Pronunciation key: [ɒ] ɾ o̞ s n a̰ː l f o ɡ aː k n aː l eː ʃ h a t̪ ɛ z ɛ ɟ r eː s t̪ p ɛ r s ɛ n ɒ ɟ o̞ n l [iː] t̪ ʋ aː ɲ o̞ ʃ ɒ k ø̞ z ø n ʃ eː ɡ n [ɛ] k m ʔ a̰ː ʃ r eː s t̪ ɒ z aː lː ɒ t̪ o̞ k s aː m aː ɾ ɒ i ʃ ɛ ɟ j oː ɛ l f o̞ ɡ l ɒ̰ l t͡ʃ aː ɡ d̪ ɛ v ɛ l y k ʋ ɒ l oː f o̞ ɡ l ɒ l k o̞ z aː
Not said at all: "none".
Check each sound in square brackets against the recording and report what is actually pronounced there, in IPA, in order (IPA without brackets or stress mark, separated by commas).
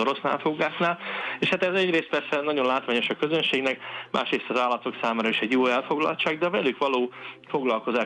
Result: o, aː, ɛ